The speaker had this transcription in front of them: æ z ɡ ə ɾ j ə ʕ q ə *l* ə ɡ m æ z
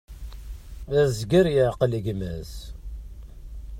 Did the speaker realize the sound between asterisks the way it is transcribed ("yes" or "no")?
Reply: yes